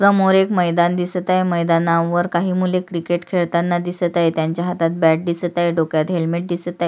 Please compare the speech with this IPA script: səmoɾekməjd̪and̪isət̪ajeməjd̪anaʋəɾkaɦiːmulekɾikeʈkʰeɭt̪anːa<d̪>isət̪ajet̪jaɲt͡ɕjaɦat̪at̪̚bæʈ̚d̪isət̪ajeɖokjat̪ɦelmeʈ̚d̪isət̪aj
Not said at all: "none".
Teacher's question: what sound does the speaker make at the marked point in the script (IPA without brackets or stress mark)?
d̪